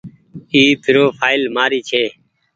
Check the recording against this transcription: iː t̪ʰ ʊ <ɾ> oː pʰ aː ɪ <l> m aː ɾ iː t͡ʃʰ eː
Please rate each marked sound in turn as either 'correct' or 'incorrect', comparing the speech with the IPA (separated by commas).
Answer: correct, correct